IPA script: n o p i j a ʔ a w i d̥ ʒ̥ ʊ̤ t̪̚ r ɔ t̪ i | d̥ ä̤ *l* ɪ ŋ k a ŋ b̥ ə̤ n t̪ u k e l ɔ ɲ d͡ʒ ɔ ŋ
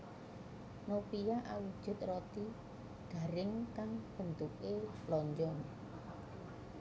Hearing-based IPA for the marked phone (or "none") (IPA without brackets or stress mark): ɾ